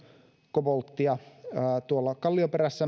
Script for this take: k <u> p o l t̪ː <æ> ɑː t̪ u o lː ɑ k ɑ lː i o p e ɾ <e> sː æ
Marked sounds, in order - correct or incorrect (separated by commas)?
incorrect, incorrect, incorrect